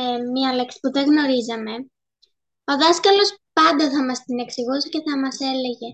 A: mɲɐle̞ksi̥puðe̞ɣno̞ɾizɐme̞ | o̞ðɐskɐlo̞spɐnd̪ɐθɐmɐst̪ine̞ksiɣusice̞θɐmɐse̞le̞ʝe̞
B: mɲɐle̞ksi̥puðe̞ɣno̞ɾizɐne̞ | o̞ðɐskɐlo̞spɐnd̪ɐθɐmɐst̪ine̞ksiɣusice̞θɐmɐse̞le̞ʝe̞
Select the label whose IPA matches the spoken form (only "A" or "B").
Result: A